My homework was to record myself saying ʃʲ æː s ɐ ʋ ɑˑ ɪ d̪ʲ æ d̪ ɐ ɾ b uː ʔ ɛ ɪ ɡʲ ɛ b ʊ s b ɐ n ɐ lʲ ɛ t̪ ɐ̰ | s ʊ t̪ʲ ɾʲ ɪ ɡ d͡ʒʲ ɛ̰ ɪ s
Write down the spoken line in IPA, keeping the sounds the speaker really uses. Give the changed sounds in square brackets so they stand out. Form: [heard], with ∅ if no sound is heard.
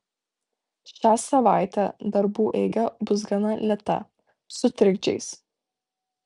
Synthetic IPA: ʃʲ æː s ɐ ʋ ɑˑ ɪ [t̪ʲ] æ d̪ ɐ ɾ b uː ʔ ɛ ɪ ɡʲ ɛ b ʊ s [ɡ] ɐ n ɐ lʲ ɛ t̪ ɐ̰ | s ʊ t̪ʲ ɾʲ ɪ ɡ d͡ʒʲ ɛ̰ ɪ s